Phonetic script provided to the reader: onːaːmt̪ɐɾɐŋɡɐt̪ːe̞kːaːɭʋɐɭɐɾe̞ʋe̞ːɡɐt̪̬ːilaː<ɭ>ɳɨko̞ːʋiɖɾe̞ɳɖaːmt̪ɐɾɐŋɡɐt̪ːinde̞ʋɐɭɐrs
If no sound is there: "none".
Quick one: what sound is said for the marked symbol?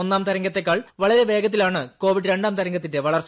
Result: none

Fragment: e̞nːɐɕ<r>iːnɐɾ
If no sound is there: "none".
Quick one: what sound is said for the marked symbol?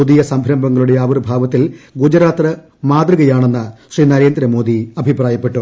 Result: r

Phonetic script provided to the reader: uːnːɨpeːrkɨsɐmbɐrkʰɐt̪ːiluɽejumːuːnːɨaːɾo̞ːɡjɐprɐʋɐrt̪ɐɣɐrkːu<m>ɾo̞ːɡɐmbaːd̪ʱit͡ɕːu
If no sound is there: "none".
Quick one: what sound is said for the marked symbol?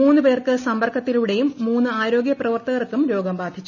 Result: m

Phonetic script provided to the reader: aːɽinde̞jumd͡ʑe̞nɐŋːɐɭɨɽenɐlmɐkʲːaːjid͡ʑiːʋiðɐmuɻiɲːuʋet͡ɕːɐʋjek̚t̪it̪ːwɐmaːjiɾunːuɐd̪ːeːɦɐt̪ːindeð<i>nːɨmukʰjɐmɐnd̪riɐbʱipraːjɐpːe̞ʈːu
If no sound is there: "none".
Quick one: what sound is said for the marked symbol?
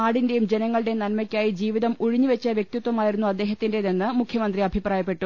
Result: e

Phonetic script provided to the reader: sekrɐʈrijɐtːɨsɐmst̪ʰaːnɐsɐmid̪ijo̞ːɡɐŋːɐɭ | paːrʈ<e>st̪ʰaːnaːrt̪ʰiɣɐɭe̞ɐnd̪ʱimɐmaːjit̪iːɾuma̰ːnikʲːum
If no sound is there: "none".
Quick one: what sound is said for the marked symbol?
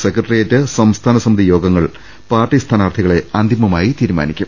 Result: i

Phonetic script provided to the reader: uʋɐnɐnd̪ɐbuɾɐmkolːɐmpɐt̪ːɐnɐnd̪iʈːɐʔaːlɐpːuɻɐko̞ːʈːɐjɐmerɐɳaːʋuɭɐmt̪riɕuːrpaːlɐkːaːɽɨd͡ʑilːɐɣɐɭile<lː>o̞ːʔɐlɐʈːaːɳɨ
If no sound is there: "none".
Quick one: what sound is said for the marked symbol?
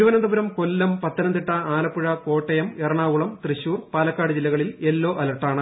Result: lː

